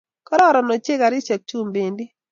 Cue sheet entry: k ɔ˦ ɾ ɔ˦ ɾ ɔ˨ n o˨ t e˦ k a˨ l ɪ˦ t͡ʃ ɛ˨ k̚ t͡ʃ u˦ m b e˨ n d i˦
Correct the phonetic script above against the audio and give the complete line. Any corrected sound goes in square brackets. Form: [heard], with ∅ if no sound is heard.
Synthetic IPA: k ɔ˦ ɾ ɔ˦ ɾ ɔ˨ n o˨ [t͡ʃ] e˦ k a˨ [ɾ] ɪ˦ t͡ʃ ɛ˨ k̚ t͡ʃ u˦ m b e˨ n d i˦